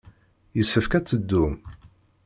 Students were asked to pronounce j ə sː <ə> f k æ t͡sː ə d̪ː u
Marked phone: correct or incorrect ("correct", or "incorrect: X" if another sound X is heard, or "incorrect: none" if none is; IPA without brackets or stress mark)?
correct